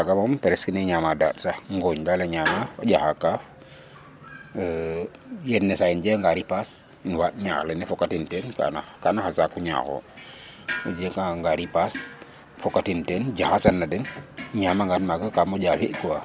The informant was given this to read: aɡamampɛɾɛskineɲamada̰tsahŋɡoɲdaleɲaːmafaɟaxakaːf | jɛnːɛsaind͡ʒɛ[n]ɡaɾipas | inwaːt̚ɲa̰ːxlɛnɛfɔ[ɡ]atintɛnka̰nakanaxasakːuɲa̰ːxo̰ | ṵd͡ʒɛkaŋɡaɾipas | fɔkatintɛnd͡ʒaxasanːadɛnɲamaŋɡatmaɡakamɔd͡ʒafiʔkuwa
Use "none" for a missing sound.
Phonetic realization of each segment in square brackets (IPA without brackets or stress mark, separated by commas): ŋ, k